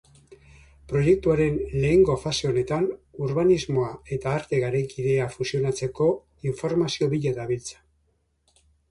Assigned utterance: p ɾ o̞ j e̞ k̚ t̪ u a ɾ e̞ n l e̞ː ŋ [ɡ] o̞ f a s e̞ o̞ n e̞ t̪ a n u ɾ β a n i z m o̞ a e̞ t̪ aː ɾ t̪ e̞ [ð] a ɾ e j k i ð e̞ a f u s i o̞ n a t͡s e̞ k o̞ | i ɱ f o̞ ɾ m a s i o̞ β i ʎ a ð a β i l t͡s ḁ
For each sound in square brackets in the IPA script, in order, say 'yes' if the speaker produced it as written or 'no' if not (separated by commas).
yes, no